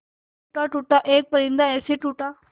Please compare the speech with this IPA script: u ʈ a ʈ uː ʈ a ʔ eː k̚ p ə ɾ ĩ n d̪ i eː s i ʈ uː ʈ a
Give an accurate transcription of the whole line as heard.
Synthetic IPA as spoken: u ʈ a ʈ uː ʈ a ʔ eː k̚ p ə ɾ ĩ n d̪ a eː s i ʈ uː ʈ a